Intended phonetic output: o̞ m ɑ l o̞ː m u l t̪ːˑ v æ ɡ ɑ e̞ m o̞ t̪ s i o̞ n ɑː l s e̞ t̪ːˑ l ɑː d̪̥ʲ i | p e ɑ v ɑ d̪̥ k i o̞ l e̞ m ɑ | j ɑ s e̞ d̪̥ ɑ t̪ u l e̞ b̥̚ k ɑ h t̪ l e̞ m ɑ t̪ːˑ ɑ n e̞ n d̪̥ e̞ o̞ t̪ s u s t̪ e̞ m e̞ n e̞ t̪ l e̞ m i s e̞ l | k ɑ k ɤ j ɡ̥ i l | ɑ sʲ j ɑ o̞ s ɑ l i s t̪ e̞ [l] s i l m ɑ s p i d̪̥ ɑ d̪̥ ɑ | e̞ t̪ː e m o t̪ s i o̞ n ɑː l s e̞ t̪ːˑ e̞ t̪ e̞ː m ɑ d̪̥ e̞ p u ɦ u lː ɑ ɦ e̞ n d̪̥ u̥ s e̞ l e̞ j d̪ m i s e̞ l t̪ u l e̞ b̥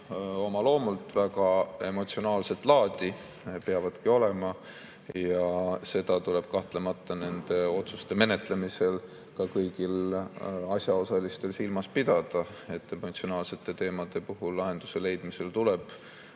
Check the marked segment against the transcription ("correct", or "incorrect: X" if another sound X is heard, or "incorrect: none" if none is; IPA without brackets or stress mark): correct